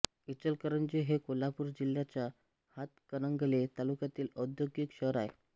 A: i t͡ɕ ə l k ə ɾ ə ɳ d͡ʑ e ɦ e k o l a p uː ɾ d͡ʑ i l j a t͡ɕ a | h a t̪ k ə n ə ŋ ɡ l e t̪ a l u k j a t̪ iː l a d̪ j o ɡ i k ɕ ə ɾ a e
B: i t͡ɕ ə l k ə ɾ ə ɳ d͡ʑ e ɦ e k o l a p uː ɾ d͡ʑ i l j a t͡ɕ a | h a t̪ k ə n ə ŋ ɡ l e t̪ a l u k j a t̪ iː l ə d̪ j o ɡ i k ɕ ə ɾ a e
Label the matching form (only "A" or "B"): B